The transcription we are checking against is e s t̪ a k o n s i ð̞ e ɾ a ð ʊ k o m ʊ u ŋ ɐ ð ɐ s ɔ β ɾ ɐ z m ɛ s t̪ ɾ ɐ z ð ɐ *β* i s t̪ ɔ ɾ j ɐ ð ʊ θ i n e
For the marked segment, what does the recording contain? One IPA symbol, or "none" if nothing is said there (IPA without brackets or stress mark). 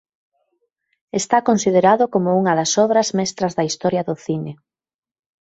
none